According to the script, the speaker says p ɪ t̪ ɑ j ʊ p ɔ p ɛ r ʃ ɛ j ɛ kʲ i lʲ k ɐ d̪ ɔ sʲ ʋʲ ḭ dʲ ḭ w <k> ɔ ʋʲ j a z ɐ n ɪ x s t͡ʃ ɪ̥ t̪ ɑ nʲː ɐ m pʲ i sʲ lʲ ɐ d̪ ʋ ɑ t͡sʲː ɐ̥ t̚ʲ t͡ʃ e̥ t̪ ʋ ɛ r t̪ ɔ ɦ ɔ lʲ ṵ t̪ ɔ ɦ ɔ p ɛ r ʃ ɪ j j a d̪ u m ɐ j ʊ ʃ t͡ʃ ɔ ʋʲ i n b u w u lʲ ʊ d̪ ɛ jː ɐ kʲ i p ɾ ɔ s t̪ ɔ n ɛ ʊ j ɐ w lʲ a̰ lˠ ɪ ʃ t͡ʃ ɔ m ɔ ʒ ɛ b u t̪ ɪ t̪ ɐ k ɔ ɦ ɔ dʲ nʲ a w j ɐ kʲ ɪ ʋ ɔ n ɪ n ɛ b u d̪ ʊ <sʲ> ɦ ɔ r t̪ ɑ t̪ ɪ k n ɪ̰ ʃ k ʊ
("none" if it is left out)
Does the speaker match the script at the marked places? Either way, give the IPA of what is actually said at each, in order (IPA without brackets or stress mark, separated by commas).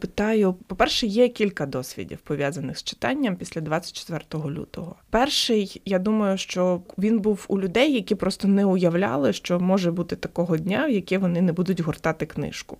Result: p, tʲ